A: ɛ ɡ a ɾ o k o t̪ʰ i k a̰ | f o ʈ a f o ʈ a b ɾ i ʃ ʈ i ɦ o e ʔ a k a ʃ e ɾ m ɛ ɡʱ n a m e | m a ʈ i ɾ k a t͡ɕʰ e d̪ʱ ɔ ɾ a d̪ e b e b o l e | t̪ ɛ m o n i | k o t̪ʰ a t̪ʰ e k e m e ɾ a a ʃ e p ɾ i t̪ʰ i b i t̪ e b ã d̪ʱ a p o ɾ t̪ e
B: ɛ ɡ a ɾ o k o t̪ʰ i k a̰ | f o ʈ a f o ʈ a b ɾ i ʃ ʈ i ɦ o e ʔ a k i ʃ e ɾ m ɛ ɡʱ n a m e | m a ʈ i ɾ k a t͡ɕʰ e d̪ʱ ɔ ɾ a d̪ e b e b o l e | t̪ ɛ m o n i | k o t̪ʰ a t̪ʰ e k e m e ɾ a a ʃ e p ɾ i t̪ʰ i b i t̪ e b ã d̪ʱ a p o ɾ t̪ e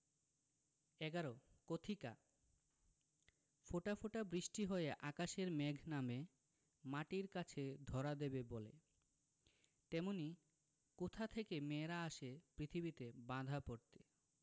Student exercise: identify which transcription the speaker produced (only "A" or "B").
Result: A